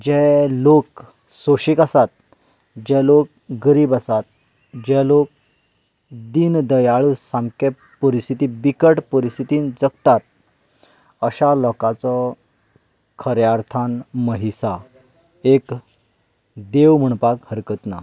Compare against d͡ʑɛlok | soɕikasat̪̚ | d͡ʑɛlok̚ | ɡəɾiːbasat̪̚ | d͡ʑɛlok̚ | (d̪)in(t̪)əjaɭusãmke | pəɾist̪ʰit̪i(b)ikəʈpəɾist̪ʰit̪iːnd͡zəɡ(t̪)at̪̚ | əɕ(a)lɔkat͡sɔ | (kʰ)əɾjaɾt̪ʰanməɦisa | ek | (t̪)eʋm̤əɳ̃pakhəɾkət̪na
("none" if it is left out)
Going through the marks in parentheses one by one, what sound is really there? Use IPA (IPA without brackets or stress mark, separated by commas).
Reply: d̪, d̪, b, t̪, a, kʰ, d̪